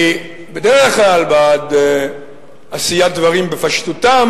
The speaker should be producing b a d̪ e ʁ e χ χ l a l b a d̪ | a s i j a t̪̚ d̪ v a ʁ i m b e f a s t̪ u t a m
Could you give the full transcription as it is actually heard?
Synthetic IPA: b e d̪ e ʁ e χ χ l a l b a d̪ | a s i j a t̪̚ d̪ v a ʁ i m b e f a ʃ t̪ u t a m